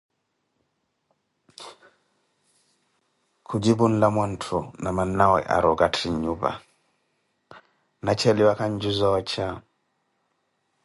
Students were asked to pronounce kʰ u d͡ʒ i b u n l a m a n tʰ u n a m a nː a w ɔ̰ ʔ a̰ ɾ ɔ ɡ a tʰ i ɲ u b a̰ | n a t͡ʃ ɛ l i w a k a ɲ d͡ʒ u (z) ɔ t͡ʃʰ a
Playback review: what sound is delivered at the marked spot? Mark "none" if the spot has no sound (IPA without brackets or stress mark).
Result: z